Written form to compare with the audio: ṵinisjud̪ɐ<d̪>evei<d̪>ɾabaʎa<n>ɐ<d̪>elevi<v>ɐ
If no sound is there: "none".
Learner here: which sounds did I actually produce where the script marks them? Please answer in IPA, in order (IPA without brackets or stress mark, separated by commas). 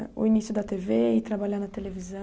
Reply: t̪, t̪, n, t̪, z